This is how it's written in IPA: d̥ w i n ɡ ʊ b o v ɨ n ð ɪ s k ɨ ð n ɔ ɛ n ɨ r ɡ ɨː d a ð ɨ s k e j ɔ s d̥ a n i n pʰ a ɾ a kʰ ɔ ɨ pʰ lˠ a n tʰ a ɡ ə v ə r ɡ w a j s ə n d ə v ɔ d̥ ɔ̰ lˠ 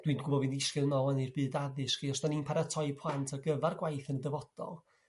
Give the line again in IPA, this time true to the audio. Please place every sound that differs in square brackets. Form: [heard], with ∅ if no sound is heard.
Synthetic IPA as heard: d̥ w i n ɡ ʊ b [ɔ] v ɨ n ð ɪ s k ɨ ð n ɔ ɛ n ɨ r [b] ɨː d a ð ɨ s k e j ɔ s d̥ a n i n pʰ a ɾ a [tʰ] ɔ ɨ pʰ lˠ a n tʰ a ɡ ə v [a] r ɡ w a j [θ] ə n d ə v ɔ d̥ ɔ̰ lˠ